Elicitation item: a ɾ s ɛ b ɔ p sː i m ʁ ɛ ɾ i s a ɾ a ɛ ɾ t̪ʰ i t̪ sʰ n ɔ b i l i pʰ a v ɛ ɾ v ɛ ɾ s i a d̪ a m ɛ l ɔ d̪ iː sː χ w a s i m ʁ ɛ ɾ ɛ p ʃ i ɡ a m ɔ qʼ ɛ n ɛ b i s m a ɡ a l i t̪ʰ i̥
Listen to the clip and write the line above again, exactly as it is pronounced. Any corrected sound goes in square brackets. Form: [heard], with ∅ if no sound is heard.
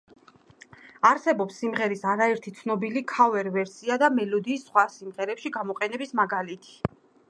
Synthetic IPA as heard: a ɾ s ɛ b ɔ p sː i m ʁ ɛ ɾ i s a ɾ a ɛ ɾ t̪ʰ i t̪ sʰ n ɔ b i l i [kʰ] a v ɛ ɾ v ɛ ɾ s i a d̪ a m ɛ l ɔ d̪ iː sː χ w a s i m ʁ ɛ ɾ ɛ p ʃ i ɡ a m ɔ qʼ ɛ n ɛ b i s m a ɡ a l i t̪ʰ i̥